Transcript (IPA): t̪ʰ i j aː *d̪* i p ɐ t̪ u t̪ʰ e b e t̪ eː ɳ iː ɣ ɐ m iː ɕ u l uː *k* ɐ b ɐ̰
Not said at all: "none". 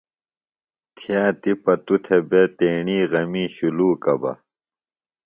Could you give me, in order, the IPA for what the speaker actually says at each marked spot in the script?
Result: t̪, k

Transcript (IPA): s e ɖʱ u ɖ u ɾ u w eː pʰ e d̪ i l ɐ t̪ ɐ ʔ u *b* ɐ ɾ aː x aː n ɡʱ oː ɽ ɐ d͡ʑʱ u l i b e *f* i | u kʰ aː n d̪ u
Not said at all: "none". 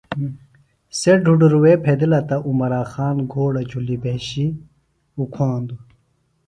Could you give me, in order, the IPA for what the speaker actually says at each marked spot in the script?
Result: m, ɕ

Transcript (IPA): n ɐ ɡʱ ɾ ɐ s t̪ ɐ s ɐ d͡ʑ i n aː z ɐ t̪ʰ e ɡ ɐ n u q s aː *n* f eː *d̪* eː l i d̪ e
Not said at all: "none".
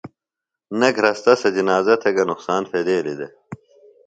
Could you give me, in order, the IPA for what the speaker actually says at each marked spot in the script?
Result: n, d̪

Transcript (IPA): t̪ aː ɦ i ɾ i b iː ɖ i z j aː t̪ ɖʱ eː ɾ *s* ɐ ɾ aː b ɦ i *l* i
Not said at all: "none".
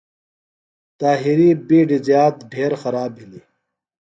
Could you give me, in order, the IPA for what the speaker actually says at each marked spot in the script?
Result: x, l

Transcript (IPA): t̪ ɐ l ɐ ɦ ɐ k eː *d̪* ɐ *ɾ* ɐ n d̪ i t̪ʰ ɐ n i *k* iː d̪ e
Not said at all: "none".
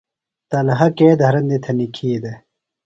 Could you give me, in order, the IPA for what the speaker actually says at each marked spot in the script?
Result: d̪, ɾ, kʰ

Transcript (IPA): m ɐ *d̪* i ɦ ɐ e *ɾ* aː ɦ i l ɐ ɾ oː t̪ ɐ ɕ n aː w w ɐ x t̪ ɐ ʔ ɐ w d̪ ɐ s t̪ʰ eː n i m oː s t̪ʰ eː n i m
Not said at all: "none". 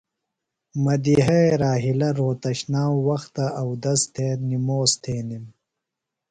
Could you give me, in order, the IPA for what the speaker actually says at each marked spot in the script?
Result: d̪, ɾ

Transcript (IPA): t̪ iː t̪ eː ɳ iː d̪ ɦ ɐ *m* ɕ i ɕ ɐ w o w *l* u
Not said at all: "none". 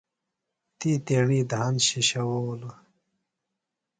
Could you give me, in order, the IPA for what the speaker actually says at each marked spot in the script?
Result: n, l

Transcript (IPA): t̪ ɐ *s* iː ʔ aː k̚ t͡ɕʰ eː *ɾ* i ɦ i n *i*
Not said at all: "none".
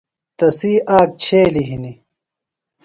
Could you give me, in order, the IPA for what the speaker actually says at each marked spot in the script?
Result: s, l, i

